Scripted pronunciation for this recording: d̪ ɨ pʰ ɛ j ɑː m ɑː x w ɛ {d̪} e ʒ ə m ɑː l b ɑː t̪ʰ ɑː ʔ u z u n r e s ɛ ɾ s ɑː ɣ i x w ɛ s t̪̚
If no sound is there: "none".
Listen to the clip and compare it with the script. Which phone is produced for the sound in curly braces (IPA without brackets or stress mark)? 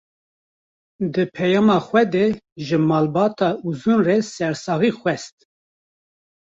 d̪